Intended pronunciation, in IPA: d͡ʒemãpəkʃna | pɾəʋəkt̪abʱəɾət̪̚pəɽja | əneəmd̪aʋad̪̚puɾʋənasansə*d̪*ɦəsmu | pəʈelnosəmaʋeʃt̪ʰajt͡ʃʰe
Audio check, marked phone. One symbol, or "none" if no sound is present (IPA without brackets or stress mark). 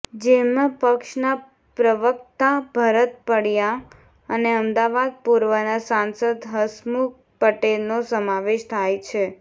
d̪